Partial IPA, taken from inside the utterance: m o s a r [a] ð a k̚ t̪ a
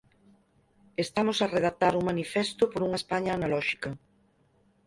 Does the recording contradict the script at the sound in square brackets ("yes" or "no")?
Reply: yes